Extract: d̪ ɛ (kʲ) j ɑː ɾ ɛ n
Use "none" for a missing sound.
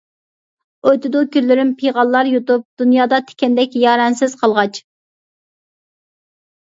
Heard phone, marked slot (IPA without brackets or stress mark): kʲ